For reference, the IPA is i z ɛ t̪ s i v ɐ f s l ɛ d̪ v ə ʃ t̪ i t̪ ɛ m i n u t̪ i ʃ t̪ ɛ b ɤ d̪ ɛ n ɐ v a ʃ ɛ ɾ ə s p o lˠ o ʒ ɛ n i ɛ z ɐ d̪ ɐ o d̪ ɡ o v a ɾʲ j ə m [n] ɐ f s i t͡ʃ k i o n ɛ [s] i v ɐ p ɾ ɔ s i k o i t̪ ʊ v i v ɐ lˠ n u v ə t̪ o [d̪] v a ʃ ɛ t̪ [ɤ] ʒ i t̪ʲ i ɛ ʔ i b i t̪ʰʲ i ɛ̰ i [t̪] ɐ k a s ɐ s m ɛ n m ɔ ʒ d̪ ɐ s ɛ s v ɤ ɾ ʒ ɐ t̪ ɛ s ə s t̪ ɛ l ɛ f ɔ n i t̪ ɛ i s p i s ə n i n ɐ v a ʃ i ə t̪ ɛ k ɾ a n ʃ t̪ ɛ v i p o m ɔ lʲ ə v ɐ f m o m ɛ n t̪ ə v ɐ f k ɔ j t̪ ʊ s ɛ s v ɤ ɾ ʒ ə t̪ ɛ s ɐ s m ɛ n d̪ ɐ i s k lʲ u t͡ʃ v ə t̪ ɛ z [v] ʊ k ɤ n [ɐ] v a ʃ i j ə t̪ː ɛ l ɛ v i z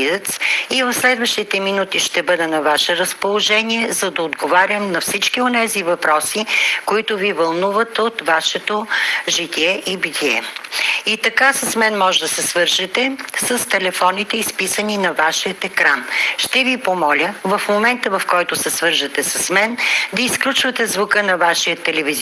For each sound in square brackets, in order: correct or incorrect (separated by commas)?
correct, incorrect, incorrect, incorrect, correct, correct, correct